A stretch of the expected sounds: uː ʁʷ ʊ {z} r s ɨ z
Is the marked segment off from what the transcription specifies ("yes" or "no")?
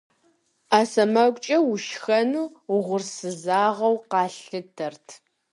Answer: yes